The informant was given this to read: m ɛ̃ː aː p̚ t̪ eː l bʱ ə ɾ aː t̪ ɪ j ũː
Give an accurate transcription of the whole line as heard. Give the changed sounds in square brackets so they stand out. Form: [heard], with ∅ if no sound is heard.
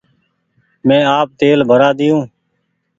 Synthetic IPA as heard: m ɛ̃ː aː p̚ t̪ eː l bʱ ə ɾ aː [d̪] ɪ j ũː

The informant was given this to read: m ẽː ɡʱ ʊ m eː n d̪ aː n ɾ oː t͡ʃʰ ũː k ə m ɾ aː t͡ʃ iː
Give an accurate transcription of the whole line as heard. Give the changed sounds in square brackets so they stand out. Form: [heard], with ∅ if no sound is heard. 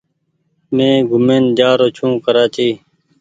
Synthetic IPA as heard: m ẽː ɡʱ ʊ m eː n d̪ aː [∅] ɾ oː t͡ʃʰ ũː k ə [∅] ɾ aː t͡ʃ iː

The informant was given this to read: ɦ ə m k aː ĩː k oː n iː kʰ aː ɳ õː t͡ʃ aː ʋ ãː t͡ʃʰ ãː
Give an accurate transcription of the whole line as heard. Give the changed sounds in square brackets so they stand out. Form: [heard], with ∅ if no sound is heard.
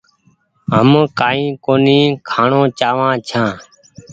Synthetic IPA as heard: ɦ ə m k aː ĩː k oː n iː kʰ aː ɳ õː t͡ʃ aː ʋ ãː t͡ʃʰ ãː

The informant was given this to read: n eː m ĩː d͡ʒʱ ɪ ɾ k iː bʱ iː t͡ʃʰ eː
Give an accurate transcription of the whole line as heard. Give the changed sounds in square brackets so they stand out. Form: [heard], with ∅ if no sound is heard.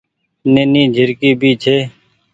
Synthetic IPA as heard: n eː [n] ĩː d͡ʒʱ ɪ ɾ k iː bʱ iː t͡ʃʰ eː

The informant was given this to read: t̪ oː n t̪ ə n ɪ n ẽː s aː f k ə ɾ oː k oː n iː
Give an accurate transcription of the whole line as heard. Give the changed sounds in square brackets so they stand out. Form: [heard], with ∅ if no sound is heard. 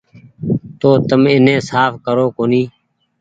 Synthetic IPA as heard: t̪ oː [∅] t̪ ə [m] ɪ n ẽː s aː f k ə ɾ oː k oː n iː

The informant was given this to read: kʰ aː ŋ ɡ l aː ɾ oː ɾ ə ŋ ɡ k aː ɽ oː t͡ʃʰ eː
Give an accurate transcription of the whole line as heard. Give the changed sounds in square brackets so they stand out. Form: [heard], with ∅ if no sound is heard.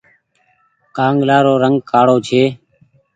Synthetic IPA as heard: [k] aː ŋ ɡ l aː ɾ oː ɾ ə ŋ ɡ k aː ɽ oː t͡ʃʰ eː

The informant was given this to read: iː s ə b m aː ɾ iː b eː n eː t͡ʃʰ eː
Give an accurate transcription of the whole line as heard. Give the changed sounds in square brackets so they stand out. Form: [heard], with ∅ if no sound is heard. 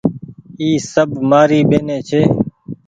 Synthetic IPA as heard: iː s ə b m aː ɾ iː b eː n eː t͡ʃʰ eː

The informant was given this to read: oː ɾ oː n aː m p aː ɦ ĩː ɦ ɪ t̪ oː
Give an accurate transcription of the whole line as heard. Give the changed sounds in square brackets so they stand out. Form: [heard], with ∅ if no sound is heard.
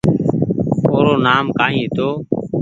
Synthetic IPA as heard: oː ɾ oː n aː m [k] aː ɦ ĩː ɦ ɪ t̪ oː

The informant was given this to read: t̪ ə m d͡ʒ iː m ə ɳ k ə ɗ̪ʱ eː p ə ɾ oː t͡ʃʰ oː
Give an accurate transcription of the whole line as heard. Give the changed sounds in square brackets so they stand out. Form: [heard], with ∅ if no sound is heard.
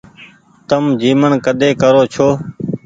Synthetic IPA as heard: t̪ ə m d͡ʒ iː m ə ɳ k ə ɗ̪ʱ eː [k] ə ɾ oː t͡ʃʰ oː

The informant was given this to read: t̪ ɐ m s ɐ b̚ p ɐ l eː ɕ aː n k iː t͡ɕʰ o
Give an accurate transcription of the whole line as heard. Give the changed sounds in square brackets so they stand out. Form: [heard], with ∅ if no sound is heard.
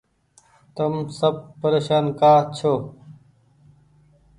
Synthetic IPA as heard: t̪ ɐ m s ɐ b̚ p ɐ [ɾ] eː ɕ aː n k [aː] t͡ɕʰ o

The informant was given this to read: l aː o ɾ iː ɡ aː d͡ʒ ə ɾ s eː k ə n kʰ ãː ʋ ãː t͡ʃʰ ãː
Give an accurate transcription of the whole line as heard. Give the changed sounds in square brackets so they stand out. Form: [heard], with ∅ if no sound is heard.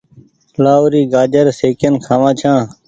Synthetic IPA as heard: l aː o ɾ iː ɡ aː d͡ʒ ə ɾ s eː k ə n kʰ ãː ʋ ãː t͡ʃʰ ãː

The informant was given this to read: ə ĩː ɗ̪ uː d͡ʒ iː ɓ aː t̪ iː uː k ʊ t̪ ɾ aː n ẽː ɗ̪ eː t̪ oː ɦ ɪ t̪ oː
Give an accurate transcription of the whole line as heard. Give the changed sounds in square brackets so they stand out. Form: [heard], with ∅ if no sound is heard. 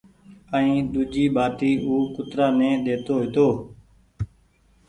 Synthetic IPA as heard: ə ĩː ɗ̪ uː d͡ʒ iː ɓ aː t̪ iː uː k ʊ t̪ ɾ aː n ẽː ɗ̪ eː t̪ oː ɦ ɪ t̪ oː

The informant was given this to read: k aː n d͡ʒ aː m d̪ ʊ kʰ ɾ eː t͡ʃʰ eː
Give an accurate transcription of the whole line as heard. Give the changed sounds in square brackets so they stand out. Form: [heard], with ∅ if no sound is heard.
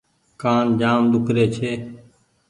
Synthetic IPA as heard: k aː n d͡ʒ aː m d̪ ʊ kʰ ɾ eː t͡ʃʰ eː

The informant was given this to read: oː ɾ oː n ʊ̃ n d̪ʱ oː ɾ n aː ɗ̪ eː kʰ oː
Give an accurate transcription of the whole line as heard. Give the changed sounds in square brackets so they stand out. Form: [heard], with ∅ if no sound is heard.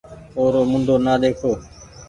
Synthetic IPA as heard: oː ɾ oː [m] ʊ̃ n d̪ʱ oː [∅] n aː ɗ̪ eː kʰ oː

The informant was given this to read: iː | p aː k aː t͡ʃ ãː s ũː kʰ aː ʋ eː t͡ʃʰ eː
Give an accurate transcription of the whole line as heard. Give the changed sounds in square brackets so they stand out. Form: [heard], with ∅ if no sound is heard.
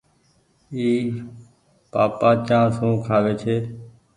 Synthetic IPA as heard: iː | p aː [p] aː t͡ʃ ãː s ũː kʰ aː ʋ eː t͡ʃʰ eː

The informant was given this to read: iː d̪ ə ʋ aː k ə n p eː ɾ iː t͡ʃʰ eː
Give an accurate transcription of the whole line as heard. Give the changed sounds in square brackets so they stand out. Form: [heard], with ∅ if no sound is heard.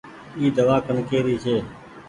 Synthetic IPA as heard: iː d̪ ə ʋ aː k ə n [k] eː ɾ iː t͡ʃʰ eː

